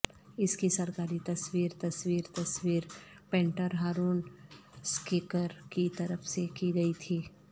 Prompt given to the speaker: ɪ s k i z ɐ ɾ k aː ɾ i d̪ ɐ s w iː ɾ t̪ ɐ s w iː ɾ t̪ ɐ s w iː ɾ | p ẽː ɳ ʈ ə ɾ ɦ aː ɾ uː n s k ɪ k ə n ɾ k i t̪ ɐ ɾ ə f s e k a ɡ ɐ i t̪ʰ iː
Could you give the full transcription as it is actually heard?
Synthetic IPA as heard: ɪ s k i s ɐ ɾ k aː ɾ i t̪ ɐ s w iː ɾ t̪ ɐ s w iː ɾ t̪ ɐ s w iː ɾ | p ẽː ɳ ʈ ə ɾ ɦ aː ɾ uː n s k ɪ k ə ɾ k i t̪ ɐ ɾ ə f s e k i ɡ ɐ i t̪ʰ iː